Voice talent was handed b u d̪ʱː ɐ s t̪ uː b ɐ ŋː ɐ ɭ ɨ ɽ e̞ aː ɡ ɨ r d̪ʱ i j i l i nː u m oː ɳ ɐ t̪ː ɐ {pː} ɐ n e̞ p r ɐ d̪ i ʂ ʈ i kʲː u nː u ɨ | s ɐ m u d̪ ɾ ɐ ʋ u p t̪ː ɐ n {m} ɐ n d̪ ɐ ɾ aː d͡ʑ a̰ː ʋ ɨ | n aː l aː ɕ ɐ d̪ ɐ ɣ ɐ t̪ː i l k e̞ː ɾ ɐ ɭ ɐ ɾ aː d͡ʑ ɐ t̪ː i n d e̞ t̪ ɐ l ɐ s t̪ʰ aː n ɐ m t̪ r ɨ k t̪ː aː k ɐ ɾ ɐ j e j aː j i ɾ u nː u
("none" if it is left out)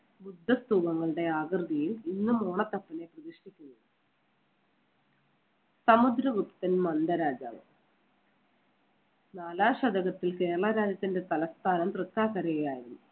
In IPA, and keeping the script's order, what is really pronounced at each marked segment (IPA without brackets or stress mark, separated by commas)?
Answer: pː, m